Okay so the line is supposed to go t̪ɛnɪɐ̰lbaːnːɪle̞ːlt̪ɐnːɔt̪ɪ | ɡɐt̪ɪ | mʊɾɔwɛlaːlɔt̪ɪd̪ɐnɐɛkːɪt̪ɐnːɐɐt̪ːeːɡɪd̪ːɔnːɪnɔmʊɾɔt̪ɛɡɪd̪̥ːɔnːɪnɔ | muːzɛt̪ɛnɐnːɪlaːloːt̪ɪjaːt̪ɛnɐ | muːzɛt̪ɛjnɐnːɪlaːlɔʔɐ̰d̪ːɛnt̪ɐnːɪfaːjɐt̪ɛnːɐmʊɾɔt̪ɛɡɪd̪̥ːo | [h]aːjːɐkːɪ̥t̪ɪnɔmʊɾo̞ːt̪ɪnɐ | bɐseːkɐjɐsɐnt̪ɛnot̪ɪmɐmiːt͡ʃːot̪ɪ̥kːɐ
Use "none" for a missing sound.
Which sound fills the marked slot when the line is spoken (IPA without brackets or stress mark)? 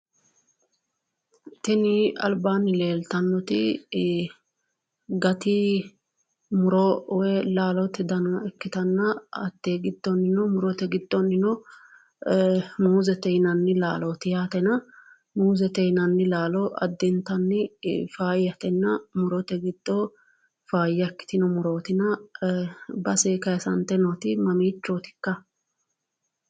f